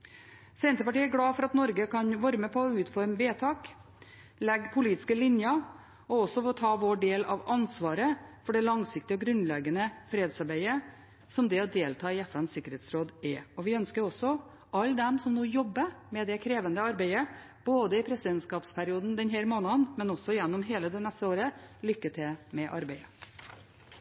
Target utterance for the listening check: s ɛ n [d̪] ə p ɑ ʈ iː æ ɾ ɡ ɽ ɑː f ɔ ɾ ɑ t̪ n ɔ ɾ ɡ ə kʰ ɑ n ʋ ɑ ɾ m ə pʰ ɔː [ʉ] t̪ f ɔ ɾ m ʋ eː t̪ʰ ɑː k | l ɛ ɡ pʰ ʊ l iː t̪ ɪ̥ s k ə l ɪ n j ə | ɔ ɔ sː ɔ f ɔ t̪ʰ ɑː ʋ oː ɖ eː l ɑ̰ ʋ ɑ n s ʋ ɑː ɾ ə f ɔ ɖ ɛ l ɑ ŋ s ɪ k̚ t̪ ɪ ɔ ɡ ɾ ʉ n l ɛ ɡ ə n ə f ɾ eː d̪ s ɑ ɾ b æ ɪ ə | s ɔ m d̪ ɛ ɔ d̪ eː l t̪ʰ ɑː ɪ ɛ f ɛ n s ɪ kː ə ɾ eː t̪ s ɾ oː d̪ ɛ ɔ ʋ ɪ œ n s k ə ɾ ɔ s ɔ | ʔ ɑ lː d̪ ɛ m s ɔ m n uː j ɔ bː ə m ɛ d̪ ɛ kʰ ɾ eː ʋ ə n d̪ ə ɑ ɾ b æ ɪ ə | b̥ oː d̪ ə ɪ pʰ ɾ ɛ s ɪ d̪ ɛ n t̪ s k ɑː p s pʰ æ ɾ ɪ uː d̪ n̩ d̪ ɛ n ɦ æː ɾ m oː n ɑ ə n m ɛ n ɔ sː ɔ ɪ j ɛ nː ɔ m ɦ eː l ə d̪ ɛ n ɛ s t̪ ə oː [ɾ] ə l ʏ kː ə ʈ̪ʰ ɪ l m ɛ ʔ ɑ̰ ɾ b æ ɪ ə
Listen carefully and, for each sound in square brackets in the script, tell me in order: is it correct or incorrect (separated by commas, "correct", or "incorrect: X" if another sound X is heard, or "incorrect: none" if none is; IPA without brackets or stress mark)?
incorrect: t̪, incorrect: ʉː, correct